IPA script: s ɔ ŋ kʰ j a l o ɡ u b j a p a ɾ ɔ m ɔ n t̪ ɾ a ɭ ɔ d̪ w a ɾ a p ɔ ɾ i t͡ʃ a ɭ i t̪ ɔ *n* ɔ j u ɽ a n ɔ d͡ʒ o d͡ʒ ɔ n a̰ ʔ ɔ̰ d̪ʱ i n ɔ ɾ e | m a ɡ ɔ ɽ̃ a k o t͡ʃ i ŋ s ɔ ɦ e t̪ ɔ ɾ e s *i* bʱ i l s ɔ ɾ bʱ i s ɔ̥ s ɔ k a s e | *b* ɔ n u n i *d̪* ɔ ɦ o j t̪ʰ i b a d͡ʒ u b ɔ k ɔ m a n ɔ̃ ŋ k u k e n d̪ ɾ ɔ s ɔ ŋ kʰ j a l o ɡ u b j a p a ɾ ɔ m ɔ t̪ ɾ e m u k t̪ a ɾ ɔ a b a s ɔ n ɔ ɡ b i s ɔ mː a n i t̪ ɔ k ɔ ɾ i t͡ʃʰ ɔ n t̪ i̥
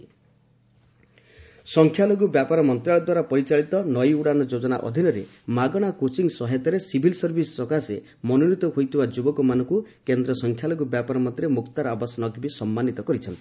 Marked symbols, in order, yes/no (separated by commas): yes, yes, no, no